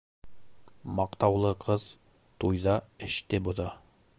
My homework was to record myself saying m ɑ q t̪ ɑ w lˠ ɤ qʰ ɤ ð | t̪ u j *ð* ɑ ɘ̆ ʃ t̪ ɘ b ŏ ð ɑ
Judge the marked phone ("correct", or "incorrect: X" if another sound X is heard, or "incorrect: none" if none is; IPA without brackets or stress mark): correct